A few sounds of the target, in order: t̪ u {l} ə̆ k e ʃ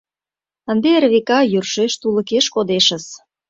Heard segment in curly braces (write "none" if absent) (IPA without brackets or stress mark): l